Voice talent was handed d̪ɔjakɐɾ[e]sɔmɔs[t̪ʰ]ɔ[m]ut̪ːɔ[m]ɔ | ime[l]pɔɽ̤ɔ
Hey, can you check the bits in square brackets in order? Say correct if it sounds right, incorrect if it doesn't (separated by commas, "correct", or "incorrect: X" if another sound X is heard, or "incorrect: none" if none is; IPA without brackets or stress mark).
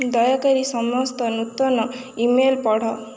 incorrect: i, incorrect: t̪, incorrect: n, incorrect: n, correct